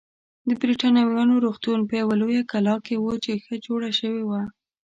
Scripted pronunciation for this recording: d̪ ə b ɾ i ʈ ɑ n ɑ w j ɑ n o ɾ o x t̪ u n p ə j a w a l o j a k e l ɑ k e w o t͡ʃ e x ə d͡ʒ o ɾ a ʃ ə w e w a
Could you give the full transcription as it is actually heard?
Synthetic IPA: d̪ ə b ɾ i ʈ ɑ n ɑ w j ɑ n o ɾ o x t̪ u n p ə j a w a l o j a k a l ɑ k e w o t͡ʃ e x ə d͡ʒ o ɽ a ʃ ə w e w a